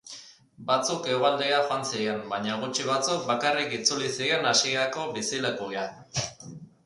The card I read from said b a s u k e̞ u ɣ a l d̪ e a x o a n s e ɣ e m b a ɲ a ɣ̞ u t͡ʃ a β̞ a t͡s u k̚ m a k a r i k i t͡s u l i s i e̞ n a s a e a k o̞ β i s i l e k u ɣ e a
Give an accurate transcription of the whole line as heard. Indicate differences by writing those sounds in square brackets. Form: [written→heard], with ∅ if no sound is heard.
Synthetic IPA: b a [s→t͡s] u k e̞ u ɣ a l d̪ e a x o a n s [e→i] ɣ e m b a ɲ a ɣ̞ u t͡ʃ [a→i] β̞ a t͡s u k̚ [m→b] a k a r i k i t͡s u l i s i e̞ n a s [a→i] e a k o̞ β i s i l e k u ɣ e a